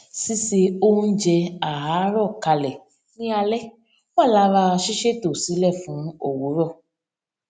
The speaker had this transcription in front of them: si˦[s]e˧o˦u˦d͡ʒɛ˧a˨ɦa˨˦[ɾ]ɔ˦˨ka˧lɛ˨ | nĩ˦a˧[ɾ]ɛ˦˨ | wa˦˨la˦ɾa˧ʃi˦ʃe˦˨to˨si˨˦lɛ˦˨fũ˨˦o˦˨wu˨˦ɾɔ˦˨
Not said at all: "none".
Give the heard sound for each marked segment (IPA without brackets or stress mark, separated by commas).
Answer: s, ɾ, l